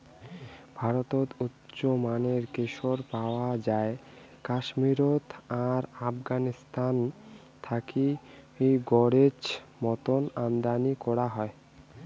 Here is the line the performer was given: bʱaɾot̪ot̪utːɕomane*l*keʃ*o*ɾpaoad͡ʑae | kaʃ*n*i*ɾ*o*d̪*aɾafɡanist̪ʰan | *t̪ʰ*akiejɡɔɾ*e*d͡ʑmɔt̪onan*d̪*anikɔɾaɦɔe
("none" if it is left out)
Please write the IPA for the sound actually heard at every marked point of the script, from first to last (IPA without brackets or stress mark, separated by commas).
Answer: ɾ, o, m, ɾ, t̪, t̪ʰ, e, d̪